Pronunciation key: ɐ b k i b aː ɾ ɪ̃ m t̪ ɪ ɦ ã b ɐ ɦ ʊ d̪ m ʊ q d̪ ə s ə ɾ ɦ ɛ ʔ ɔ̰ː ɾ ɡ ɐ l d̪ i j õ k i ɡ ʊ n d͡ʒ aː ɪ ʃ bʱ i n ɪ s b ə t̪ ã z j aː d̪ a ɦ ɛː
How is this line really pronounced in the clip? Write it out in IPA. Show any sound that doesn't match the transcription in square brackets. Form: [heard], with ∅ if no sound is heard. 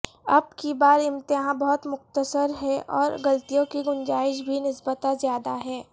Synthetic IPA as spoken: ɐ b k i b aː ɾ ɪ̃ m t̪ ɪ ɦ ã b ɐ ɦ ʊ [t̪] m ʊ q [t̪] ə s ə ɾ ɦ ɛ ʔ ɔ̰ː ɾ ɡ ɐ l [t̪] i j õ k i ɡ ʊ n d͡ʒ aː ɪ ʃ bʱ i n ɪ s b ə t̪ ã z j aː d̪ a ɦ ɛː